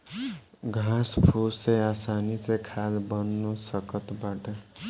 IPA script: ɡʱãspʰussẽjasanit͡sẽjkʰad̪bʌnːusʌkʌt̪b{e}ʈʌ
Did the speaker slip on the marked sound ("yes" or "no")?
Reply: yes